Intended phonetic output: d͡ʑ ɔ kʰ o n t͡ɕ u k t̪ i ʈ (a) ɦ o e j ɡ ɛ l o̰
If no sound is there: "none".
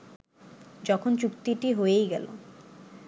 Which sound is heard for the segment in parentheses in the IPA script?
i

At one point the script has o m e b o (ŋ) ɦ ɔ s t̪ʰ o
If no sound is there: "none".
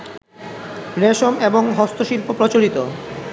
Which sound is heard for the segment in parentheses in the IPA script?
ŋ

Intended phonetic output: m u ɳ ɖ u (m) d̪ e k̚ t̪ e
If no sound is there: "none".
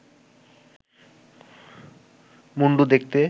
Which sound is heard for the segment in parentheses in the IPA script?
none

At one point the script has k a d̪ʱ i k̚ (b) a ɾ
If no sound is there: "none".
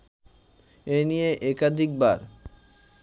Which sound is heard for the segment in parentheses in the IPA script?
b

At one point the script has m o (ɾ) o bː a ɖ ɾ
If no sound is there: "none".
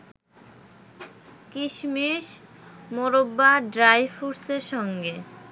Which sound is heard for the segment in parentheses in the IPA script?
ɾ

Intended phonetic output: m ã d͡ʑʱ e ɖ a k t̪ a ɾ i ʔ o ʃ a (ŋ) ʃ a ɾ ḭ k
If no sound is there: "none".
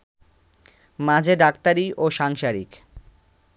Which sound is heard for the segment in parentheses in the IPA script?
ŋ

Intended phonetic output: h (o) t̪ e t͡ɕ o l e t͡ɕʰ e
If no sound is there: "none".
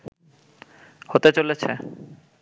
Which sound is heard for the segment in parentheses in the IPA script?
o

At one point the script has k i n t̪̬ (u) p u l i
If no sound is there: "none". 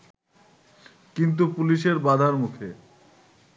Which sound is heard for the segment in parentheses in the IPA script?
u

